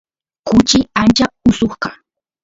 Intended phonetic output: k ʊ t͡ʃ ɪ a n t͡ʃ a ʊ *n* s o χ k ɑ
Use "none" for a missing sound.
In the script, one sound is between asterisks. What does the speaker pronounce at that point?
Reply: none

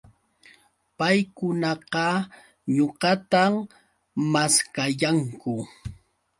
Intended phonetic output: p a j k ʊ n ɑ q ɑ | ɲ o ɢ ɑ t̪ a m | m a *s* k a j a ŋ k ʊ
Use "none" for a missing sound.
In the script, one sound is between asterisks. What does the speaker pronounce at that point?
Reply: s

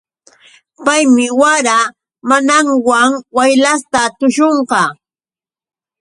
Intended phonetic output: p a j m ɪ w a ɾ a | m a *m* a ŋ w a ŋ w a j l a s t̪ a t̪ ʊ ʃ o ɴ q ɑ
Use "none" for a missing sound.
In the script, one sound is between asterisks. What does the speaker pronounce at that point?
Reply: n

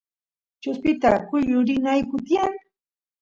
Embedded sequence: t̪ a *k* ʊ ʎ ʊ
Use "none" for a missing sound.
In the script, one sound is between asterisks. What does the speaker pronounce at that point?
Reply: k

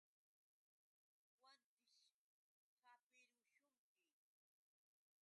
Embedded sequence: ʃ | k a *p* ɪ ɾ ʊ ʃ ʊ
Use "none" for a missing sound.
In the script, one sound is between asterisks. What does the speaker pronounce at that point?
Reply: p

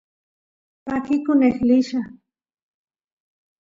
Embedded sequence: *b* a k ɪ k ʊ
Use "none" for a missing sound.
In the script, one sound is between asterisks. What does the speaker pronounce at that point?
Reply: p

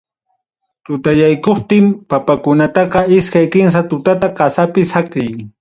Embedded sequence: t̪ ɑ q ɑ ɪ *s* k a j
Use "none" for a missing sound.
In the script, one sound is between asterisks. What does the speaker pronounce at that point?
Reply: s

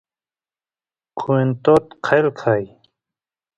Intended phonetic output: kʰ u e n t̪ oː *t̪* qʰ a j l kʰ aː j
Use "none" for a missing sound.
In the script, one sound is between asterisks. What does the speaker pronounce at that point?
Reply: t̪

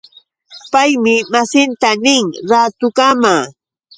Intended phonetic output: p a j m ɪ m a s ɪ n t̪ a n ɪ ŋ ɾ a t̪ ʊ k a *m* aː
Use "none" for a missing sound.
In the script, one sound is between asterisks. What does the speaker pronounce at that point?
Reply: m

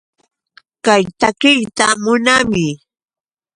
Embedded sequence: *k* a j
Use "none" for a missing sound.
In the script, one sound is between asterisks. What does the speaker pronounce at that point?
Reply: k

